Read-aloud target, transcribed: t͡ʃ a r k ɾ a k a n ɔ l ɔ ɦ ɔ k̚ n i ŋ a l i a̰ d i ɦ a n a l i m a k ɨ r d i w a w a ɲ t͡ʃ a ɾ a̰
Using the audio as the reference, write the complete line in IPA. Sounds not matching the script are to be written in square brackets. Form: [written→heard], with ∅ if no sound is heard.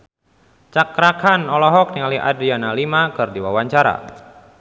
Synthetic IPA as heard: t͡ʃ a [r→∅] k ɾ a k a n ɔ l ɔ ɦ ɔ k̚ n i ŋ a l i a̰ d i [ɦ→∅] a n a l i m a k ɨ r d i w a w a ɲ t͡ʃ a ɾ a̰